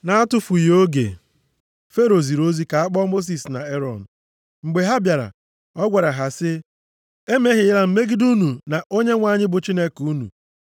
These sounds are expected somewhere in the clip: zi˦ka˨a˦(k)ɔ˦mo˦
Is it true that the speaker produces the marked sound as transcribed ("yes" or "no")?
no